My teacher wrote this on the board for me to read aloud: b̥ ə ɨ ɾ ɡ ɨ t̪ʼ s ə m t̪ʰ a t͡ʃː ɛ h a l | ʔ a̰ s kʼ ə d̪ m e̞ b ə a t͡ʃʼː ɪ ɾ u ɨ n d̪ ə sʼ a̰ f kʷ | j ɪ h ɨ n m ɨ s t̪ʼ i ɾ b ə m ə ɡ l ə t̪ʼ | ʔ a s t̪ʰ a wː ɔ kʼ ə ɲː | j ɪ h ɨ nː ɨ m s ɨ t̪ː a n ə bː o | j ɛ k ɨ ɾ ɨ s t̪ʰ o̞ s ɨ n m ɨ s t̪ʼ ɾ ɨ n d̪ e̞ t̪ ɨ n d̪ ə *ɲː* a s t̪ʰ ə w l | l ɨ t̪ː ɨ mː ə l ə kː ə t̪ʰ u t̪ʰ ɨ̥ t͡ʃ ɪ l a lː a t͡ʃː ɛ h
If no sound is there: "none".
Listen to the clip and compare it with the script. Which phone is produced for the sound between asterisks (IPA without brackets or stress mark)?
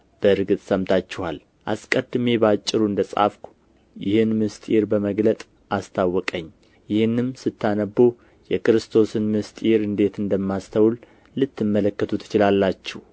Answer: mː